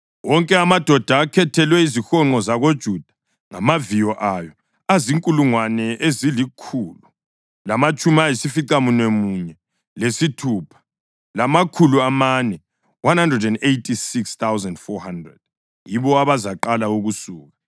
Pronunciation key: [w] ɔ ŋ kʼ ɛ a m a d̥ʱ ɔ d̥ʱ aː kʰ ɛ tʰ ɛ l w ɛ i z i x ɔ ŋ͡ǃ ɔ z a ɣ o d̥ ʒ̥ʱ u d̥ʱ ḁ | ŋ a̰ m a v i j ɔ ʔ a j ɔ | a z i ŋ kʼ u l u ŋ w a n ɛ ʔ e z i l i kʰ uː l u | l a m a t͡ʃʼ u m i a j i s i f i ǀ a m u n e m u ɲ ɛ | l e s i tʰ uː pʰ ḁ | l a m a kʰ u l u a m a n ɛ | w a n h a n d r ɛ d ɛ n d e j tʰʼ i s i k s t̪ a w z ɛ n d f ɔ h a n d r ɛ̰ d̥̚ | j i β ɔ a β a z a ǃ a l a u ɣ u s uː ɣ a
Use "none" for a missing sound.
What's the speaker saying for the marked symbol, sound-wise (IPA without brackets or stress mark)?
w